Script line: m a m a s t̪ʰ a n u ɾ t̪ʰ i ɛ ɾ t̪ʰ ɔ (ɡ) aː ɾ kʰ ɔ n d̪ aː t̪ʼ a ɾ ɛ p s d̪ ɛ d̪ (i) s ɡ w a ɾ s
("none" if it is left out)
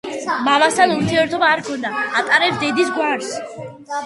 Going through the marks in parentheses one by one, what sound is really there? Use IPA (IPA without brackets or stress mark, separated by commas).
b, i